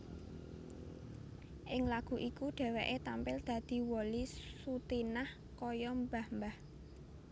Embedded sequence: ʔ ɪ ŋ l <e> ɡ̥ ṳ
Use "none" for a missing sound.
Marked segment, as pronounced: a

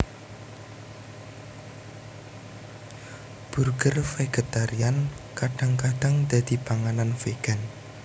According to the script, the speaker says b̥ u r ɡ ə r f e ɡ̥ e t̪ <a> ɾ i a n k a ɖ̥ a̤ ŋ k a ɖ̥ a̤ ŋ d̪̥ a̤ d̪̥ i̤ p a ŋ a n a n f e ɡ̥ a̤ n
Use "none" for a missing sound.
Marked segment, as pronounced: a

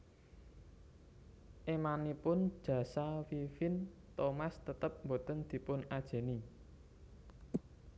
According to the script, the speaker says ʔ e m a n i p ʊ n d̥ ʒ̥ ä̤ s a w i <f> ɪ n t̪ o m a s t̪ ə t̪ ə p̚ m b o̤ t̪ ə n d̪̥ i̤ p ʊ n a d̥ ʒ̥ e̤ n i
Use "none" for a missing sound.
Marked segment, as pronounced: f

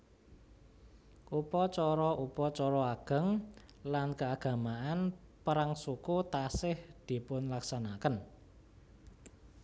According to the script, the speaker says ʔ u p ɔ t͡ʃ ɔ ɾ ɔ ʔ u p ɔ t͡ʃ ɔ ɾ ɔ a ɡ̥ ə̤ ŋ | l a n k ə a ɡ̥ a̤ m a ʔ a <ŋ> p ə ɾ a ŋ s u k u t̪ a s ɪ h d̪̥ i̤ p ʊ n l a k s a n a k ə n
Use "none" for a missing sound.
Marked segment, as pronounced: n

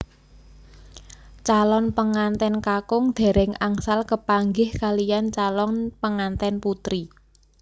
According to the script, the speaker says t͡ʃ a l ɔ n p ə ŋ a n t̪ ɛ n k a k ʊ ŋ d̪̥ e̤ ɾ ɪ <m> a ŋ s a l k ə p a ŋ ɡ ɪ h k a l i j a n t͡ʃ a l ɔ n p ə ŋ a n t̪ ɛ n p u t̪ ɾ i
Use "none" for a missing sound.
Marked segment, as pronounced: ŋ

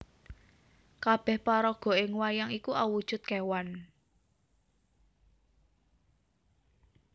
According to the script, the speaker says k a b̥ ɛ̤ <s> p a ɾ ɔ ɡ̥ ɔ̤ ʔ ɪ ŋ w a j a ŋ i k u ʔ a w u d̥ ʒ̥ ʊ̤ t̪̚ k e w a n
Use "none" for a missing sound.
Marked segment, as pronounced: h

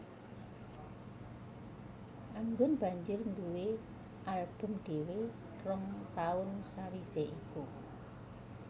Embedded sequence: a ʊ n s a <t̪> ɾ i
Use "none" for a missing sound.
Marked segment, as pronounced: none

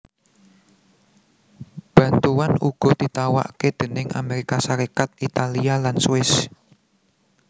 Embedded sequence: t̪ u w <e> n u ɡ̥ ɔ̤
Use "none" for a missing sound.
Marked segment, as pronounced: a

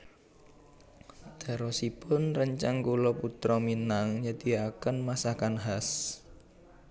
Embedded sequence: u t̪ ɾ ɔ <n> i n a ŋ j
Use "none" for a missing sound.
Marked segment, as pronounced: m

